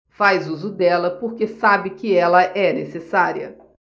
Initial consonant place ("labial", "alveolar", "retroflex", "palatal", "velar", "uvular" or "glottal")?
labial